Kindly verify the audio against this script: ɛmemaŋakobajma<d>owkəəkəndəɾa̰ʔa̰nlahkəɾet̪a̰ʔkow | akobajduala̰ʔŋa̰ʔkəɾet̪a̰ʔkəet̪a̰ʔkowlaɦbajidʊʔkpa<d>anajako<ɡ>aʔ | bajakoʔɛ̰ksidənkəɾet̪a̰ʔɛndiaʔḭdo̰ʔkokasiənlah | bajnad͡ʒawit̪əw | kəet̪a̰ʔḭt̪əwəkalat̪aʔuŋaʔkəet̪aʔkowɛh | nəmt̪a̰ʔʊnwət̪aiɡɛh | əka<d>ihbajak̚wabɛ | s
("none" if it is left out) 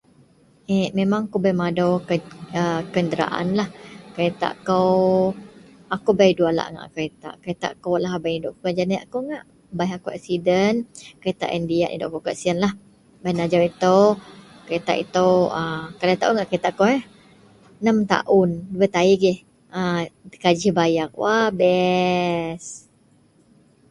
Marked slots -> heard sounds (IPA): d, d͡ʒ, ŋ, d͡ʒ

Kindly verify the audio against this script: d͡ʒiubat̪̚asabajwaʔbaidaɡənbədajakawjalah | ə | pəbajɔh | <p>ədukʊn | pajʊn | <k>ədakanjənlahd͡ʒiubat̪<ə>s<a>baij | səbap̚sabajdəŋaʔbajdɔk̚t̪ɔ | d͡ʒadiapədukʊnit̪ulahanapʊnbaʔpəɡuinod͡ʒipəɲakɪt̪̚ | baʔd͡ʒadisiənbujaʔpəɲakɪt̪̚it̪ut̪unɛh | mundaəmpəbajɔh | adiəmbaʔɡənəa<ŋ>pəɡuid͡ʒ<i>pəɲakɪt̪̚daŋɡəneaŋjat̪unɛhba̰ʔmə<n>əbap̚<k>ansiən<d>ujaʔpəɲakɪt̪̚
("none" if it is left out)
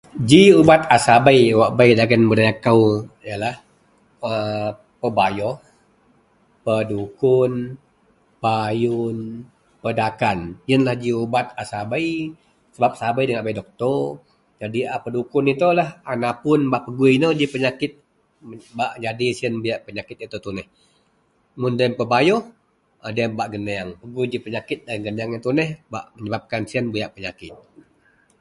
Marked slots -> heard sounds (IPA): p, p, a, a, ŋ, i, ɲ, k, b

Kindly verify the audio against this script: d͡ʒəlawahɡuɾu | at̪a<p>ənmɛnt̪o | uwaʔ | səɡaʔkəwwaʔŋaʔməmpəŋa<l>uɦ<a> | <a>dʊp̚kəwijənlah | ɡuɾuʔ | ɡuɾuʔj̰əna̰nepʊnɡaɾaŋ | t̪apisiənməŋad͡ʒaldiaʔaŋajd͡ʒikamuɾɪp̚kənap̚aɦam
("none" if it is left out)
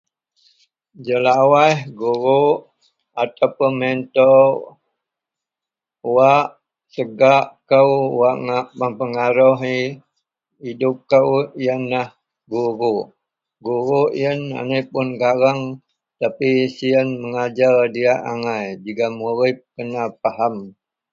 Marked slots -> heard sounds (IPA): p, ɾ, i, i

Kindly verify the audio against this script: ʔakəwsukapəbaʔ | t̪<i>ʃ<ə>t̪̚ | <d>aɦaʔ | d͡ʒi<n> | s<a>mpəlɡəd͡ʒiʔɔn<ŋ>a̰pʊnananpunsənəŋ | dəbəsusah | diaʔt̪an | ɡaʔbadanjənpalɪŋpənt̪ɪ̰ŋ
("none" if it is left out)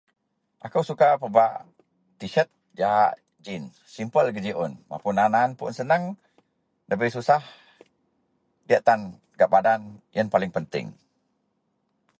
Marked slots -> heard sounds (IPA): i, ə, d͡ʒ, n, i, m

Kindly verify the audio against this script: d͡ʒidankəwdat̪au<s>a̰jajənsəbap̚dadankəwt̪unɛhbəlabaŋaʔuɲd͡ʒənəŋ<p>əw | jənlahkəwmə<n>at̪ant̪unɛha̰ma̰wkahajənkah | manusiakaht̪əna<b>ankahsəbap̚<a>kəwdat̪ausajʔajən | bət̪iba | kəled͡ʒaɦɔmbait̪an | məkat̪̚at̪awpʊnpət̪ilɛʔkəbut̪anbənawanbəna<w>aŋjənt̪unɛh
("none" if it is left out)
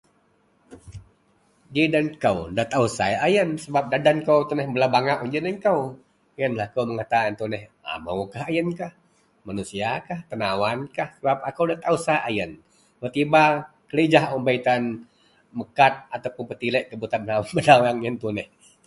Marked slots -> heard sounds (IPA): s, k, ŋ, w, a, w

